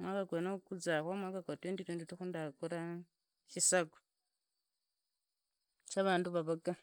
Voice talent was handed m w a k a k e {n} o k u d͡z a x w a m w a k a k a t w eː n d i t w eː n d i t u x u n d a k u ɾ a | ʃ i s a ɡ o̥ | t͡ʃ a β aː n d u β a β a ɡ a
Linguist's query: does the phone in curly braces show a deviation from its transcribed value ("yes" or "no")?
no